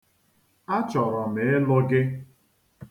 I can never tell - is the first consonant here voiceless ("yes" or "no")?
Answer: yes